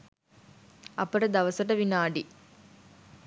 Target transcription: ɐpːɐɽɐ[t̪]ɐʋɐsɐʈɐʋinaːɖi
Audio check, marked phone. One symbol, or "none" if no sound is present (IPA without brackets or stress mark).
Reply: d̪